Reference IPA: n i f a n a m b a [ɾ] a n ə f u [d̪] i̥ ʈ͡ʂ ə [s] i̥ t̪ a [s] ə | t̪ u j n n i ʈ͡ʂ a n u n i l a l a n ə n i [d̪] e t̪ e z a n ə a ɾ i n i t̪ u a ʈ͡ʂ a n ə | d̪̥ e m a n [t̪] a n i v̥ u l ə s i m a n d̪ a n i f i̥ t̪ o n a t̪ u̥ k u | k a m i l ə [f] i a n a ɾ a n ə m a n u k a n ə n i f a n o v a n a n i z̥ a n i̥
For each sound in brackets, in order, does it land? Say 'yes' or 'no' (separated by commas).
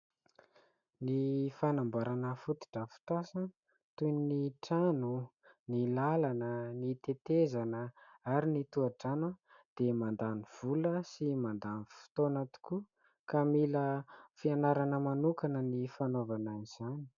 yes, no, no, yes, no, no, yes